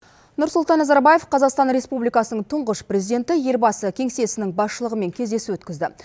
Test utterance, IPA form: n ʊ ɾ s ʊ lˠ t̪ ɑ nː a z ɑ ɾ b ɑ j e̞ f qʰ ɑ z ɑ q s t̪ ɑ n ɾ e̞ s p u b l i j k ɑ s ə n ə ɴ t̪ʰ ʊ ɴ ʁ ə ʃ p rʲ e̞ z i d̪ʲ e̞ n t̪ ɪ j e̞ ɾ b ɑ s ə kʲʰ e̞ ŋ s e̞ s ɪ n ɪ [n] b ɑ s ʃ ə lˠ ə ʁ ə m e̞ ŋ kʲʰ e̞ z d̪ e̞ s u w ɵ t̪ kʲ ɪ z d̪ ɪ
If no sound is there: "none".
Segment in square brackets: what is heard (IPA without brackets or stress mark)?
ŋ